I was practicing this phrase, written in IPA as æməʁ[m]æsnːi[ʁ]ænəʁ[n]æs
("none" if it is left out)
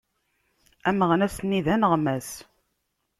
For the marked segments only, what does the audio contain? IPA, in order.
n, ð, m

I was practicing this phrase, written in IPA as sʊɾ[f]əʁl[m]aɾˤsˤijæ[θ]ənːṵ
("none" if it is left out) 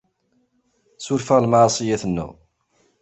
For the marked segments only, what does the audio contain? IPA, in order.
f, m, θ

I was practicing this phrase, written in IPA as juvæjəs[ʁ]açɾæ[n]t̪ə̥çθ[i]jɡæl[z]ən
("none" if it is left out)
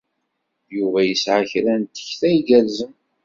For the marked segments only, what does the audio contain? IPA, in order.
ʕ, n, æ, z

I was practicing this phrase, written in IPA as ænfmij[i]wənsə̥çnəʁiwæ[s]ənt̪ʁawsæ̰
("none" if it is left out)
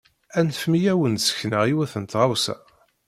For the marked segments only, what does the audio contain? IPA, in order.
æ, θ

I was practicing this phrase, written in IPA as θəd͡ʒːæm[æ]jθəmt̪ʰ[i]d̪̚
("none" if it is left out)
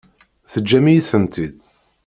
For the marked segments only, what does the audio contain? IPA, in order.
i, i

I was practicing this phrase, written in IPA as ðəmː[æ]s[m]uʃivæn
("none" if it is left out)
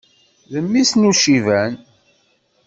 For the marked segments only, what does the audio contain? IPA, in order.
i, n

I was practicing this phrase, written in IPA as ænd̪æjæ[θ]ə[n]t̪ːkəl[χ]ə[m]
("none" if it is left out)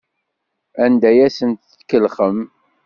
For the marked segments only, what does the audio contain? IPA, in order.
s, n, χ, m

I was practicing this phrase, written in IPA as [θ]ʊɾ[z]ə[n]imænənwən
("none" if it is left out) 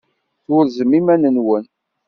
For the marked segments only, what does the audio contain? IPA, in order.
θ, z, m

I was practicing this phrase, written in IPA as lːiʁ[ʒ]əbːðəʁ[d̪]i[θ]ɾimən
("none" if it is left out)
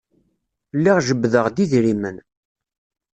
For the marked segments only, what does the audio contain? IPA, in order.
ʒ, d̪, ð

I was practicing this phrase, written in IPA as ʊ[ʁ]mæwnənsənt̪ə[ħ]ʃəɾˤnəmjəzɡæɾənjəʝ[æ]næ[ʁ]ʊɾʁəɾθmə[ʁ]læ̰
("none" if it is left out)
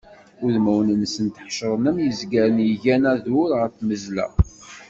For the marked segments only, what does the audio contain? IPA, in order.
ð, ħ, æ, ð, z

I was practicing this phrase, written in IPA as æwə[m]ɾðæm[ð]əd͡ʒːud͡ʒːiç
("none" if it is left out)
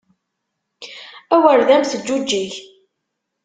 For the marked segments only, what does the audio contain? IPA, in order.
none, θ

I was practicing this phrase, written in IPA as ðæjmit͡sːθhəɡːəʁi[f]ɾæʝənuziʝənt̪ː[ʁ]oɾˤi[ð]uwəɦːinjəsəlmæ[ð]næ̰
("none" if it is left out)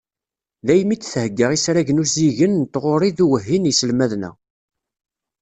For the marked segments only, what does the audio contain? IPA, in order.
s, ʁ, ð, ð

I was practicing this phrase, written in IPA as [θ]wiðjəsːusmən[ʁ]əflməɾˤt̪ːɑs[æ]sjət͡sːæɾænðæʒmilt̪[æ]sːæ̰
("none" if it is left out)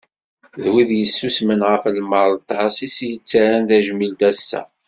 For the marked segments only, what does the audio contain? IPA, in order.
ð, ʁ, i, æ

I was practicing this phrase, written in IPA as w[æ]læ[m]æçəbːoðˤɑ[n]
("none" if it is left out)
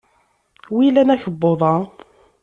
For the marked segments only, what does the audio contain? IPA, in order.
i, n, none

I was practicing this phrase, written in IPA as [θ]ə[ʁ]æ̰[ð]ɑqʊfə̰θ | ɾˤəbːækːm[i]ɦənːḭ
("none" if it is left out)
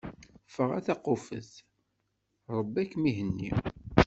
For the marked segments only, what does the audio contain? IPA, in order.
f, ʁ, θ, i

